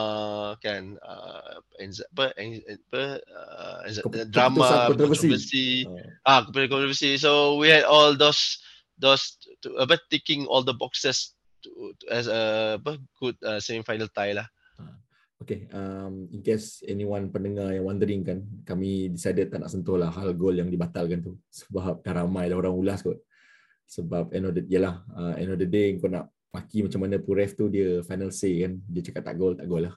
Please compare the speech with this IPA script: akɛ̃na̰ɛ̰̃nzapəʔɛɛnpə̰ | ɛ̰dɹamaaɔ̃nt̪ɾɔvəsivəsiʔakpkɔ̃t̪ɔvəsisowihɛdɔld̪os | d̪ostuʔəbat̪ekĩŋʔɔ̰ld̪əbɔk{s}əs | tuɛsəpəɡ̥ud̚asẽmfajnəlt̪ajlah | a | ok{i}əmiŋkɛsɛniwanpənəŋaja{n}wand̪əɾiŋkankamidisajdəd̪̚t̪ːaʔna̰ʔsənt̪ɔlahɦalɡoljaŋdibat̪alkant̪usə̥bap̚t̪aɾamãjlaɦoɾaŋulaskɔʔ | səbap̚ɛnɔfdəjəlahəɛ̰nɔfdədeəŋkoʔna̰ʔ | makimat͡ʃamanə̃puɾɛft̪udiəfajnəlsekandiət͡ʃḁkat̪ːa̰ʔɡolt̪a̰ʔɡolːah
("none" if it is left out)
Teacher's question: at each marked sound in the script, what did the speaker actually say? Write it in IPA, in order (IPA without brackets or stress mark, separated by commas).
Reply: s, e, ŋ